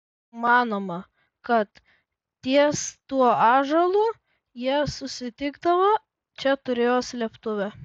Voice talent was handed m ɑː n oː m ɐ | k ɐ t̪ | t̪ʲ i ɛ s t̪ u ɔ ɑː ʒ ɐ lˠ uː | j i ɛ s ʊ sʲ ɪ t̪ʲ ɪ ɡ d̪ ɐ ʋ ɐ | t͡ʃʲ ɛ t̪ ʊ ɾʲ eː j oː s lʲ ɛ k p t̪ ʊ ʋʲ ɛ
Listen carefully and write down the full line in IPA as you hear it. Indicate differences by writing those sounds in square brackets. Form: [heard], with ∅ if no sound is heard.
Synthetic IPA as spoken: m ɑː n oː m ɐ | k ɐ t̪ | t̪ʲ i ɛ s t̪ u ɔ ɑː ʒ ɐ lˠ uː | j i ɛ s ʊ sʲ ɪ t̪ʲ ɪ ɡ d̪ ɐ ʋ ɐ | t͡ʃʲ ɛ t̪ ʊ ɾʲ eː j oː s lʲ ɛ [∅] p t̪ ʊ ʋʲ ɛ

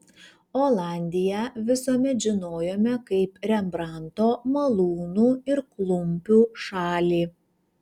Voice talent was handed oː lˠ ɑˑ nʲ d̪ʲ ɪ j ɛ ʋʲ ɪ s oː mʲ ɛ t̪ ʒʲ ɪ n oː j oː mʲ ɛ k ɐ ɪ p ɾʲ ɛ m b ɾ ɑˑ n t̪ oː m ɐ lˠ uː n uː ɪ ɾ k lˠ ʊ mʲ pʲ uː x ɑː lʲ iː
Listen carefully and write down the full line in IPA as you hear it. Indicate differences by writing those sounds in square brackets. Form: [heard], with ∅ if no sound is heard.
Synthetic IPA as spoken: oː lˠ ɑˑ nʲ d̪ʲ ɪ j ɛ ʋʲ ɪ s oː mʲ ɛ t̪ ʒʲ ɪ n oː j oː mʲ ɛ k ɐ ɪ p ɾʲ ɛ m b ɾ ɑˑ n t̪ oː m ɐ lˠ uː n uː ɪ ɾ k lˠ ʊ mʲ pʲ uː [ʃ] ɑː lʲ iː

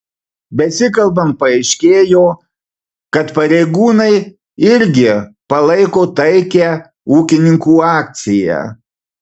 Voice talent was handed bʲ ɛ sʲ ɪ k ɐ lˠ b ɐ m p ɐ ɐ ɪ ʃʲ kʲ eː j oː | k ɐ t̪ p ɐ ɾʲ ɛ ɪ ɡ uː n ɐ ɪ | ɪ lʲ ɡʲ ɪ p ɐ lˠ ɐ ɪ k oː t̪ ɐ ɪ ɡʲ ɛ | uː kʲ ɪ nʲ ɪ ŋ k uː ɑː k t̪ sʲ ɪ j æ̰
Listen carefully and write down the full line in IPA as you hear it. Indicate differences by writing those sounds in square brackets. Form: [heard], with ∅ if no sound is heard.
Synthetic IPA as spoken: bʲ ɛ sʲ ɪ k ɐ lˠ b ɐ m p ɐ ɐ ɪ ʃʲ kʲ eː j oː | k ɐ t̪ p ɐ ɾʲ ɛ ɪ ɡ uː n ɐ ɪ | ɪ [ɾʲ] ɡʲ ɪ p ɐ lˠ ɐ ɪ k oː t̪ ɐ ɪ [kʲ] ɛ | uː kʲ ɪ nʲ ɪ ŋ k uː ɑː k t̪ sʲ ɪ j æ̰

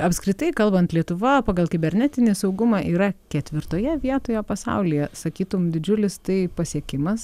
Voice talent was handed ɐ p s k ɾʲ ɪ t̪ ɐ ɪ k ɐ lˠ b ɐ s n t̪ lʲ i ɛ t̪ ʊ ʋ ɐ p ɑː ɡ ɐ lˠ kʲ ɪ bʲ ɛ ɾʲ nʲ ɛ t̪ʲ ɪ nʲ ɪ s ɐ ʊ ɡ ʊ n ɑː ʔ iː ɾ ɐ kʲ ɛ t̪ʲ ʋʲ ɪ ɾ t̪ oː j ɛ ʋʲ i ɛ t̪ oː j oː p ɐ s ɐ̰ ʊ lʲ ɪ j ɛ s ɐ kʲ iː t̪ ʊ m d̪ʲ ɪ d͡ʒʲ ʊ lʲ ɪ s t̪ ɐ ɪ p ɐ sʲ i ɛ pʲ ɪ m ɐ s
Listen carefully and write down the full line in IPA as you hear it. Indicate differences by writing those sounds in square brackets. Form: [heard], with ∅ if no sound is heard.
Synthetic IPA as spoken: ɐ p s k ɾʲ ɪ t̪ ɐ ɪ k ɐ lˠ b ɐ [∅] n t̪ lʲ i ɛ t̪ ʊ ʋ ɐ p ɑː ɡ ɐ lˠ kʲ ɪ bʲ ɛ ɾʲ nʲ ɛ t̪ʲ ɪ nʲ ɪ s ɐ ʊ ɡ ʊ [m] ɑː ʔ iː ɾ ɐ kʲ ɛ t̪ʲ ʋʲ ɪ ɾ t̪ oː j ɛ ʋʲ i ɛ t̪ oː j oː p ɐ s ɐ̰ ʊ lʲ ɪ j ɛ s ɐ kʲ iː t̪ ʊ m d̪ʲ ɪ d͡ʒʲ ʊ lʲ ɪ s t̪ ɐ ɪ p ɐ sʲ i ɛ [kʲ] ɪ m ɐ s

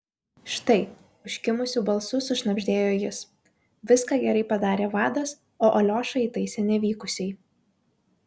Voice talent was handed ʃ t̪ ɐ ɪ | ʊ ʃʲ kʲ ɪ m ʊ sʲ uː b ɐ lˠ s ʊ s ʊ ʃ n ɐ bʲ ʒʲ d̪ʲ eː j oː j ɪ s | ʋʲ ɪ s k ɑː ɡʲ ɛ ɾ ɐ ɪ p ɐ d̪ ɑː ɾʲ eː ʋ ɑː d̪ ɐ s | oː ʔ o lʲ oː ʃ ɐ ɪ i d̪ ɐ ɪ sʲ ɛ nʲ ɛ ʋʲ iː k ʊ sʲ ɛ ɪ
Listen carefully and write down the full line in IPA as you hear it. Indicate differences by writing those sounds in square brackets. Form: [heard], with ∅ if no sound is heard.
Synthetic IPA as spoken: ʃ t̪ ɐ ɪ | ʊ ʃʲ kʲ ɪ m ʊ sʲ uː b ɐ lˠ s ʊ s ʊ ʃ n ɐ bʲ ʒʲ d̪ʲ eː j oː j ɪ s | ʋʲ ɪ s k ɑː ɡʲ ɛ ɾ ɐ ɪ p ɐ d̪ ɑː ɾʲ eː ʋ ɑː d̪ ɐ s | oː ʔ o lʲ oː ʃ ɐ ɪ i [t̪] ɐ ɪ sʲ ɛ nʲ ɛ ʋʲ iː k ʊ sʲ ɛ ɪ

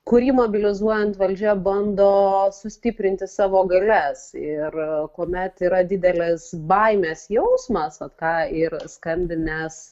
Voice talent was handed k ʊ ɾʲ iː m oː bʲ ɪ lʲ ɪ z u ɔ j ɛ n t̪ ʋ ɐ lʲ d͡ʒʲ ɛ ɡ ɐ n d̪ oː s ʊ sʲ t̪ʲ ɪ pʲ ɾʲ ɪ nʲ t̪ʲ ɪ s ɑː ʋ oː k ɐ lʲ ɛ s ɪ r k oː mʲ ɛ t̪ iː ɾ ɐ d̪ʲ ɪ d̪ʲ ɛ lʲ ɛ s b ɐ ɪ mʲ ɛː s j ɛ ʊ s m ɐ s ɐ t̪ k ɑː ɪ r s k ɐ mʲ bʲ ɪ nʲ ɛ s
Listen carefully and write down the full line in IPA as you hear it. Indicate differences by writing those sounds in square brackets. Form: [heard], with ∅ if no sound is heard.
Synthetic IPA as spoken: k ʊ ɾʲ iː m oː bʲ ɪ lʲ ɪ z u ɔ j ɛ n t̪ ʋ ɐ lʲ d͡ʒʲ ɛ [b] ɐ n d̪ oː s ʊ sʲ t̪ʲ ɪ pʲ ɾʲ ɪ nʲ t̪ʲ ɪ s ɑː ʋ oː [ɡ] ɐ lʲ ɛ s ɪ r k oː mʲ ɛ t̪ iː ɾ ɐ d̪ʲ ɪ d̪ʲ ɛ lʲ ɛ s b ɐ ɪ mʲ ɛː s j ɛ ʊ s m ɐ s ɐ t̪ k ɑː ɪ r s k ɐ mʲ bʲ ɪ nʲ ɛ s

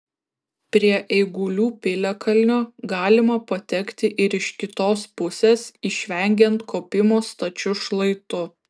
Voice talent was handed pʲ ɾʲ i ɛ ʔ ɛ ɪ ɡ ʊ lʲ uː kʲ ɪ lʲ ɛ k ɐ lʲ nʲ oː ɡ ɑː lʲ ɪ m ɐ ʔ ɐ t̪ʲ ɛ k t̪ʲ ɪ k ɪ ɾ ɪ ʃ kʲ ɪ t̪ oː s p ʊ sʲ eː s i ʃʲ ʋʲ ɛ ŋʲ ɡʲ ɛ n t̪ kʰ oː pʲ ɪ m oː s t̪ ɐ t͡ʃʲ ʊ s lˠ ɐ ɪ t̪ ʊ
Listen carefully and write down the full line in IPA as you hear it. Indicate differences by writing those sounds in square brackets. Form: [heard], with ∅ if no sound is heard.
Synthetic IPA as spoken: pʲ ɾʲ i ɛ ʔ ɛ ɪ ɡ ʊ lʲ uː [pʲ] ɪ lʲ ɛ k ɐ lʲ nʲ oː ɡ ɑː lʲ ɪ m ɐ [p] ɐ t̪ʲ ɛ k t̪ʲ ɪ [ʔ] ɪ ɾ ɪ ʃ kʲ ɪ t̪ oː s p ʊ sʲ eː s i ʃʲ ʋʲ ɛ ŋʲ ɡʲ ɛ n t̪ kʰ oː pʲ ɪ m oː s t̪ ɐ t͡ʃʲ ʊ [ʃ] lˠ ɐ ɪ t̪ ʊ

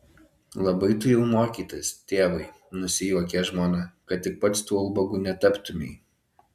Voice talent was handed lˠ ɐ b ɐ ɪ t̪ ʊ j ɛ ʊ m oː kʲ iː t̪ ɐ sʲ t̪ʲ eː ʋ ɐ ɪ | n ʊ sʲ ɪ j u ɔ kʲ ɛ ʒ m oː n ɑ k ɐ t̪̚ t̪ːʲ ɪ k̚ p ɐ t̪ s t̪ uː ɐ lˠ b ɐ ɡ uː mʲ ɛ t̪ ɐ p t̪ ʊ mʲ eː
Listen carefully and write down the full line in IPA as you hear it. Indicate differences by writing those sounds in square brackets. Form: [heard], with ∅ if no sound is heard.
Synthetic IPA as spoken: lˠ ɐ b ɐ ɪ t̪ ʊ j ɛ ʊ m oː kʲ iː t̪ ɐ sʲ t̪ʲ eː ʋ ɐ ɪ | n ʊ sʲ ɪ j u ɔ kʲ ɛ ʒ m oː n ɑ k ɐ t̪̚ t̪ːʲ ɪ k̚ p ɐ t̪ s t̪ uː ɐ lˠ b ɐ ɡ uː [nʲ] ɛ t̪ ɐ p t̪ ʊ mʲ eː

